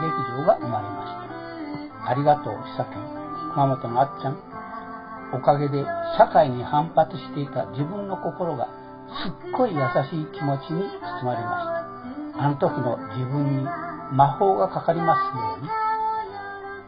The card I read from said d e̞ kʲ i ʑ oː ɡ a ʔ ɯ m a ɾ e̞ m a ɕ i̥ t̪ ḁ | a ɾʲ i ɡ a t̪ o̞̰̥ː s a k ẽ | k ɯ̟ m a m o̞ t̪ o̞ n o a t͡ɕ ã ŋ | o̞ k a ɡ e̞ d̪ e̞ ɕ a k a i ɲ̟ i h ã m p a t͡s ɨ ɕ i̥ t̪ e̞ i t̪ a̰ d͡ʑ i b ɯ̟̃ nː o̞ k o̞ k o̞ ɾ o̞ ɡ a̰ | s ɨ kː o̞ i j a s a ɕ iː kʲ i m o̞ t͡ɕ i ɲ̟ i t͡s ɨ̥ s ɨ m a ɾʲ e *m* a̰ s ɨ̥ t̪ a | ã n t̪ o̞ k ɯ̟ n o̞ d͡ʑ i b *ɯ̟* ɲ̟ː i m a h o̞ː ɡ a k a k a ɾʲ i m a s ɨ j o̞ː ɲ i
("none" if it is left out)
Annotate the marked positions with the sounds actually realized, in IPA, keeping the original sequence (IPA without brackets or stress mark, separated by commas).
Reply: m, ɯ̟̃